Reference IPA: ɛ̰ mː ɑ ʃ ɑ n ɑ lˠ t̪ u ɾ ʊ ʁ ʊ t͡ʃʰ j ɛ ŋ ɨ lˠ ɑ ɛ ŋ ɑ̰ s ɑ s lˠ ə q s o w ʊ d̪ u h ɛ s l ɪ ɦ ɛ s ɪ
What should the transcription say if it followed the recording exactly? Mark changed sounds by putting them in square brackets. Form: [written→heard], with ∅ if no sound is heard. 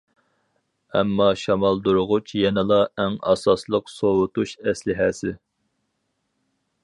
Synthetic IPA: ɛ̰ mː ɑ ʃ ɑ [n→m] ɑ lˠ [t̪→d̪] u ɾ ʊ ʁ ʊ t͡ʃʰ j ɛ [ŋ→n] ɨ lˠ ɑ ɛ ŋ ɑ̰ s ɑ s lˠ ə q s o w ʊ [d̪→t̪] u [h→ʃ] ɛ s l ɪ ɦ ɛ s ɪ